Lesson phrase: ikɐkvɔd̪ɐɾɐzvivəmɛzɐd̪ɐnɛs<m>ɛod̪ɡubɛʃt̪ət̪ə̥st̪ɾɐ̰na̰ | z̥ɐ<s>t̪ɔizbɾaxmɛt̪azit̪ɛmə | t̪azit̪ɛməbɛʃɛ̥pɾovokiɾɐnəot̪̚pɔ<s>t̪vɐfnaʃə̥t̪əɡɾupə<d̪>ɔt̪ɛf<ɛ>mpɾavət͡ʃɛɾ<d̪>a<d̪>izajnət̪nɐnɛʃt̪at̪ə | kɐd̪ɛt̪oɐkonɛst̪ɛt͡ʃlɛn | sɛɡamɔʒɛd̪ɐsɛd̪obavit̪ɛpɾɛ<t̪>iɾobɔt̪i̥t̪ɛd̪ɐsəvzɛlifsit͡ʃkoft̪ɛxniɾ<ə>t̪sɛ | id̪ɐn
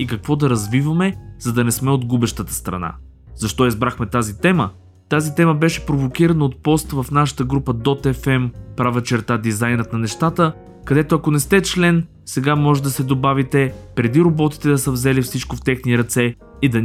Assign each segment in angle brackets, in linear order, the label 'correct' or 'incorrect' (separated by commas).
correct, incorrect, correct, correct, correct, incorrect, correct, incorrect, incorrect